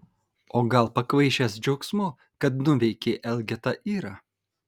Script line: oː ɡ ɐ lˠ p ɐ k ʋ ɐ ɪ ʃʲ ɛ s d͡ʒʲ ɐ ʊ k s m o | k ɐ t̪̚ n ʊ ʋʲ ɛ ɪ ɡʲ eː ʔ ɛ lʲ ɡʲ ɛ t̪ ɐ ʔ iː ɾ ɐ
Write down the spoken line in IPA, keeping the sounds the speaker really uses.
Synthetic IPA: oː ɡ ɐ lˠ p ɐ k ʋ ɐ ɪ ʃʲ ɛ s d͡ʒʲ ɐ ʊ k s m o | k ɐ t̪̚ n ʊ ʋʲ ɛ ɪ kʲ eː ʔ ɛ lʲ ɡʲ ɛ t̪ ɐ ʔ iː ɾ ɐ